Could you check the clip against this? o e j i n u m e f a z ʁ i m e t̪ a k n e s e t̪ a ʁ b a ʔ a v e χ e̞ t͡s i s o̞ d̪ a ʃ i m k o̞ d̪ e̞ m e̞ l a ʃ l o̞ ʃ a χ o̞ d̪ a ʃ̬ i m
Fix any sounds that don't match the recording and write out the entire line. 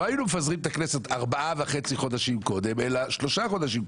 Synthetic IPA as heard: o a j i n u m e f a z ʁ i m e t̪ a k n e s e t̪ a ʁ b a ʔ a v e χ e̞ t͡s i χ o̞ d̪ a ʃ i m k o̞ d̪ e̞ m e̞ l a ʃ l o̞ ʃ a χ o̞ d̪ a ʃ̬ i m